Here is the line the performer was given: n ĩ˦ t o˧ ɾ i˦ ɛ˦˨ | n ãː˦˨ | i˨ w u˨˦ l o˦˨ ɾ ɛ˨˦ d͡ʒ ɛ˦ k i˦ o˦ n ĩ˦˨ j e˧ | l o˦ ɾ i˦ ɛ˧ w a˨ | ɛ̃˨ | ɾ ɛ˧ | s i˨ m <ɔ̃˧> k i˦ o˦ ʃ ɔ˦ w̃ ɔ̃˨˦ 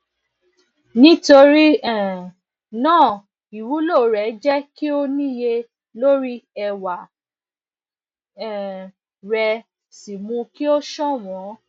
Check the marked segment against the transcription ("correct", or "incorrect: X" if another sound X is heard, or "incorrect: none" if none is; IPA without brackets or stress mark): incorrect: ũ˧